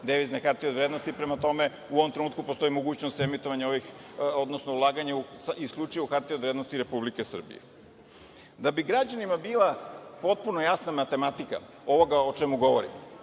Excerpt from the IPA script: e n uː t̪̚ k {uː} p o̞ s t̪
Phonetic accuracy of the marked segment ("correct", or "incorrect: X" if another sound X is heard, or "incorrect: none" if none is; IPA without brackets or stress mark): incorrect: u